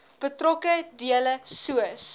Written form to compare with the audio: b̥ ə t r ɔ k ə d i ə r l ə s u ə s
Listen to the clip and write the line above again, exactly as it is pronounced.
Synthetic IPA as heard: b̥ ə t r ɔ k ə d i ə l ə s u ə s